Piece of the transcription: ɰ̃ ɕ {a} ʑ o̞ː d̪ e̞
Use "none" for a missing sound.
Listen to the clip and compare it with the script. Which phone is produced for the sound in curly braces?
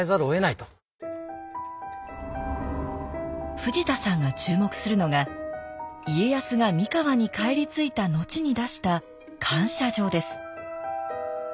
a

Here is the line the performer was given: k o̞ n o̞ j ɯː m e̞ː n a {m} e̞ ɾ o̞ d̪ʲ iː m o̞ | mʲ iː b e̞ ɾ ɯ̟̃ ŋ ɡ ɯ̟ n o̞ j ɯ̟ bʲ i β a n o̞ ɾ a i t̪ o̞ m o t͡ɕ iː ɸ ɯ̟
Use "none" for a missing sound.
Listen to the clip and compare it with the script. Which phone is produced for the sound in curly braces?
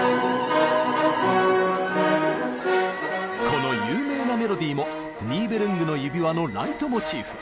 m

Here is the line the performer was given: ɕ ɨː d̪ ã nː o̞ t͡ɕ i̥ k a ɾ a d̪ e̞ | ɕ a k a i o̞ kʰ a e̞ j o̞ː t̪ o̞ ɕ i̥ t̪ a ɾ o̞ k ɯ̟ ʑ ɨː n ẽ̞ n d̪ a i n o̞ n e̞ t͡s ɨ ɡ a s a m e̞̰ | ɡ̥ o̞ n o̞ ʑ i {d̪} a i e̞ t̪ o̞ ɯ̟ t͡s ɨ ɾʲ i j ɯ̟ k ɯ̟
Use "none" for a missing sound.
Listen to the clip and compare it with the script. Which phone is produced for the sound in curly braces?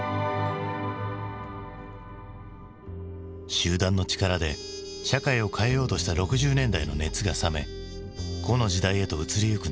d̪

